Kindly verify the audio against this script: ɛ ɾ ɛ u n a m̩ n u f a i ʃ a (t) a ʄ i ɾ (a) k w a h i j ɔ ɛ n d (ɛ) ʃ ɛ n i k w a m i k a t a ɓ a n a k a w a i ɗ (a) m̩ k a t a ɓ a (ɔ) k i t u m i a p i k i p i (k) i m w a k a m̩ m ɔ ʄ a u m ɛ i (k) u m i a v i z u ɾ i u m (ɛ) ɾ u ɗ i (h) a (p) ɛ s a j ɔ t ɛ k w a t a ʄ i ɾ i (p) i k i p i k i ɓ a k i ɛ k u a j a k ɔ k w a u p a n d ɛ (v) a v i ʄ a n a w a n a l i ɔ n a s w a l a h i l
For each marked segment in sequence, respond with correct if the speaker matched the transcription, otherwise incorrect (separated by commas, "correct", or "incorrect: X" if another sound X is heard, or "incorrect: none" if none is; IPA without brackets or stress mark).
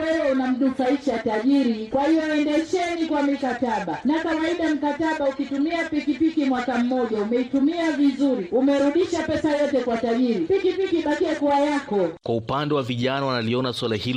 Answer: correct, incorrect: i, correct, correct, incorrect: u, correct, incorrect: t, correct, incorrect: ʃ, correct, correct, incorrect: w